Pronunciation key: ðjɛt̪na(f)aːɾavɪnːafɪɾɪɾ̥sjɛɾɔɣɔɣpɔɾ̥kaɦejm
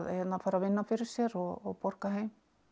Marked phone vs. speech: correct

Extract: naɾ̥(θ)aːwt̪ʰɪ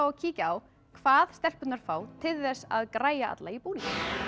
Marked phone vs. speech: incorrect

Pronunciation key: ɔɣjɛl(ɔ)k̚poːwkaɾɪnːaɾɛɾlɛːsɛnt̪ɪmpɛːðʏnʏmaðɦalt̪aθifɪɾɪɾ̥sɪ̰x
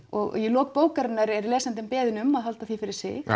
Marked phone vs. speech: incorrect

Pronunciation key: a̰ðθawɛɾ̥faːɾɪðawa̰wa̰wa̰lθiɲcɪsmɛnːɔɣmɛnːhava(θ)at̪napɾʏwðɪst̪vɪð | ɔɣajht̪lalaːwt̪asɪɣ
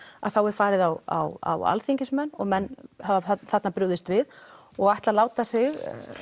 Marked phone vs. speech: correct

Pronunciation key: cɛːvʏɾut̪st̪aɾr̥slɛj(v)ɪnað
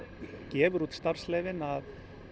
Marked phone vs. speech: correct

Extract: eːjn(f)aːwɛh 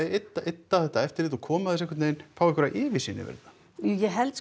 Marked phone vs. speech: correct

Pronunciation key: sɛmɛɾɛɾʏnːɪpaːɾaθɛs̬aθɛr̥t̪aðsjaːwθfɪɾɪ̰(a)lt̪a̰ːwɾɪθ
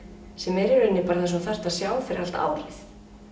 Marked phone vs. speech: correct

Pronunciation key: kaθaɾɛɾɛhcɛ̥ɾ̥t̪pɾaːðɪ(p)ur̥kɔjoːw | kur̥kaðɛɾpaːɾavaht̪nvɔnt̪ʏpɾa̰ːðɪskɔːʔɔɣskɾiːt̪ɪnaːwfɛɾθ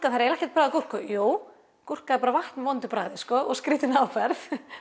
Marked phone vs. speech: incorrect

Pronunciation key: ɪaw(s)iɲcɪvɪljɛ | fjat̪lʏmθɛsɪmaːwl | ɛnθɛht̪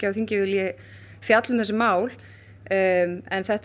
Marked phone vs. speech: incorrect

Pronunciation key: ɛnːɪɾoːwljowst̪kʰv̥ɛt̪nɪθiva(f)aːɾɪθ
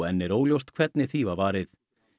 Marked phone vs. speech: incorrect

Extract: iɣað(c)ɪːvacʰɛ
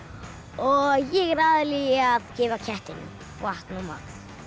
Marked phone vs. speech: correct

